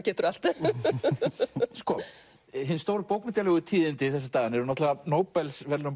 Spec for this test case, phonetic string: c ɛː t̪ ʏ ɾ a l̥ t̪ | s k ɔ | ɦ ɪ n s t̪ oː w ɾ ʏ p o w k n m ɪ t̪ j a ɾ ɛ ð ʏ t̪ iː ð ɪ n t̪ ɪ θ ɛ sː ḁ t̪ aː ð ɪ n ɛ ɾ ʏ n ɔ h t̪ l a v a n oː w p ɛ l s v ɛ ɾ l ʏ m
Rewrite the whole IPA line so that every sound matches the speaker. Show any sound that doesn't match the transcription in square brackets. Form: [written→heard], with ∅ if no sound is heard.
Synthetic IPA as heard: c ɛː t̪ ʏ ɾ a l̥ t̪ | s k ɔ | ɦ ɪ n s t̪ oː w ɾ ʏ p o w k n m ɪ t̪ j a [ɾ→l] ɛ [ð→ɣ] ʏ [t̪→t̪ʰ] iː ð ɪ n t̪ ɪ θ ɛ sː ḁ t̪ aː [ð→ɣ] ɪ n ɛ ɾ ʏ n ɔ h t̪ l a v a n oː w p ɛ l s v ɛ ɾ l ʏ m